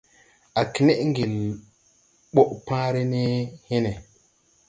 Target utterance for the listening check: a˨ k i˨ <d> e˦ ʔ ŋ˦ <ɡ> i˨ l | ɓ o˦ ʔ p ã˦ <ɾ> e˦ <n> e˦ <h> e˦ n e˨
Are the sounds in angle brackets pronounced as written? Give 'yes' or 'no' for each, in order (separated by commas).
no, yes, yes, yes, yes